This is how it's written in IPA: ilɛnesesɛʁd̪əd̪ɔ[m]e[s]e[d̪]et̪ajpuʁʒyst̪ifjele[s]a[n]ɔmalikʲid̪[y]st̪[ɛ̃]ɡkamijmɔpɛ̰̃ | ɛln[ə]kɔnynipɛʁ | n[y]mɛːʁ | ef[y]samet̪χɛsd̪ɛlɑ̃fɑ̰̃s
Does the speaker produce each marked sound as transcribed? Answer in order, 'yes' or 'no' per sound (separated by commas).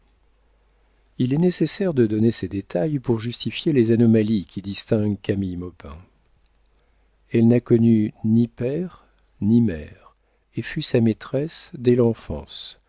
no, yes, yes, no, yes, no, yes, no, no, yes